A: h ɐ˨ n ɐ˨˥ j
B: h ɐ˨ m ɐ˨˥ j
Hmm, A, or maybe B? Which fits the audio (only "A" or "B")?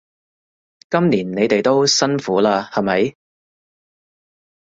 B